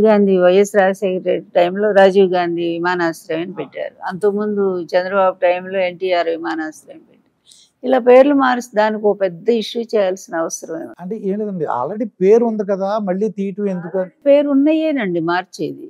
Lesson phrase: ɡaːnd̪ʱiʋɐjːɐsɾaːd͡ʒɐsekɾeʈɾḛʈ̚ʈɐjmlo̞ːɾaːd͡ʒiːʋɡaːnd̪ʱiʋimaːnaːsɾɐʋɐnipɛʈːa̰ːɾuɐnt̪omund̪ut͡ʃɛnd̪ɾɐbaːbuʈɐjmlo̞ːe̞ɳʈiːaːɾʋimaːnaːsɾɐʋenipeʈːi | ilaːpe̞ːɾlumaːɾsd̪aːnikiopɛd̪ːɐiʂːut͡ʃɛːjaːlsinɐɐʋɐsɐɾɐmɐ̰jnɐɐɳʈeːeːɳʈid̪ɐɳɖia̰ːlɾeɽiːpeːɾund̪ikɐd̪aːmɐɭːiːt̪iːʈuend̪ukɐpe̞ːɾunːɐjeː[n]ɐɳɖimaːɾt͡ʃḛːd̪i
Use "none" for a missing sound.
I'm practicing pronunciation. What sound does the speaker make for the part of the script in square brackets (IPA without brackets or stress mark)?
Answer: n